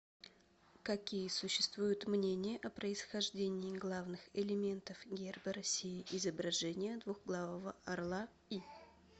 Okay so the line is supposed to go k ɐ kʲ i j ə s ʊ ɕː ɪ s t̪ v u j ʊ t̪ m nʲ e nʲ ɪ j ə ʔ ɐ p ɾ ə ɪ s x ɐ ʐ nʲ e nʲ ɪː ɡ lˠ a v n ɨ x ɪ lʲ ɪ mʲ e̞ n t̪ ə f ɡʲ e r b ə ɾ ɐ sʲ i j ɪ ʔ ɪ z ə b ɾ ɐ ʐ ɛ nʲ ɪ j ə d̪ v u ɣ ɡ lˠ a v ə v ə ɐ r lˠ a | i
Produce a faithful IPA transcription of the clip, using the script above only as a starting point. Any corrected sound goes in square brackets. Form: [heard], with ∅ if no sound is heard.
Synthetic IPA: k ɐ kʲ i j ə s ʊ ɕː ɪ s t̪ v u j ʊ t̪ m nʲ e nʲ ɪ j ə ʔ ɐ p ɾ ə ɪ s x ɐ ʐ [dʲ] e nʲ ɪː ɡ lˠ a v n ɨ x ɪ lʲ ɪ mʲ e̞ n t̪ ə f ɡʲ e r b ə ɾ ɐ sʲ i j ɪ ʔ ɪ z ə b ɾ ɐ ʐ ɛ nʲ ɪ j ə d̪ v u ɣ ɡ lˠ a v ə v ə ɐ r lˠ a | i